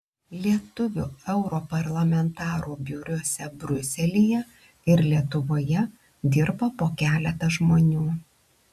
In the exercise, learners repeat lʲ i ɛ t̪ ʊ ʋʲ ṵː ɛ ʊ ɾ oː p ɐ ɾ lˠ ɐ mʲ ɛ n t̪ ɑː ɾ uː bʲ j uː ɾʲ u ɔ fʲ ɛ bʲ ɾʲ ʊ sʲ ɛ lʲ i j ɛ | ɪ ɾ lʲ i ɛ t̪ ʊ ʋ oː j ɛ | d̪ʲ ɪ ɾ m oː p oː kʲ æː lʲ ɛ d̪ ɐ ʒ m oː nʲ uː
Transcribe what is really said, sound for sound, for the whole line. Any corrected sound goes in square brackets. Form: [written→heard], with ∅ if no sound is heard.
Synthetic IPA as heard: lʲ i ɛ t̪ ʊ ʋʲ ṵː ɛ ʊ ɾ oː p ɐ ɾ lˠ ɐ mʲ ɛ n t̪ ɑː ɾ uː bʲ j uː ɾʲ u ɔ [fʲ→sʲ] ɛ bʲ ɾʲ ʊ sʲ ɛ lʲ i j ɛ | ɪ ɾ lʲ i ɛ t̪ ʊ ʋ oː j ɛ | d̪ʲ ɪ ɾ [m→b] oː p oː kʲ æː lʲ ɛ [d̪→t̪] ɐ ʒ m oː nʲ uː